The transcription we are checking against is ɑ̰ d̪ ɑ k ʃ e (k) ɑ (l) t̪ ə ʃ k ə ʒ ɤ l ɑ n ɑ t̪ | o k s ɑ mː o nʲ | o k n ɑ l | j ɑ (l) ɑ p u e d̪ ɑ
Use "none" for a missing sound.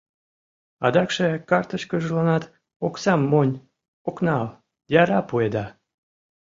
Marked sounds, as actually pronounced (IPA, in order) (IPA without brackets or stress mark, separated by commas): k, r, ɾ